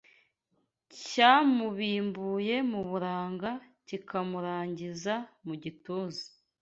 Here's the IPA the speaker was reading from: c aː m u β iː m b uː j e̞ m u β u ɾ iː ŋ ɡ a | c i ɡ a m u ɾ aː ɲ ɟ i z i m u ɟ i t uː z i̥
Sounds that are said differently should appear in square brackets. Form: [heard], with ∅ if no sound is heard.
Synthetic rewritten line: c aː m u β iː m b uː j e̞ m u β u ɾ [aː] ŋ ɡ a | c i [k] a m u ɾ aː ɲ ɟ i z [a] m u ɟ i t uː z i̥